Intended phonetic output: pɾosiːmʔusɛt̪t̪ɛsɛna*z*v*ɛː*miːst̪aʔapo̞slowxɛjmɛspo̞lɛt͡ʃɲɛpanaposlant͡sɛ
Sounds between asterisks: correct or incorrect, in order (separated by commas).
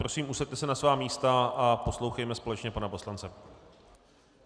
incorrect, incorrect